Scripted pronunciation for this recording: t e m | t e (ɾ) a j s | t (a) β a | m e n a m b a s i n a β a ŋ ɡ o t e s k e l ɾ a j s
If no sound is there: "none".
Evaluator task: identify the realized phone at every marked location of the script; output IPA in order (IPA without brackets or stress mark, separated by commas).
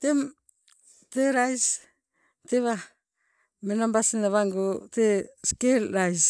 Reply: ɾ, e